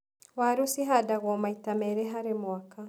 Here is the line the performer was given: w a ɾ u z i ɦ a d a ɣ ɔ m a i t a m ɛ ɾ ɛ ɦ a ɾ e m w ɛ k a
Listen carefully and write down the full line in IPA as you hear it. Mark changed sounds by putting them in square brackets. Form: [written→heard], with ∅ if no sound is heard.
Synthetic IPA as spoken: w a ɾ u [z→s] i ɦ a d a ɣ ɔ m a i t a m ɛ ɾ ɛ ɦ a ɾ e m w [ɛ→a] k a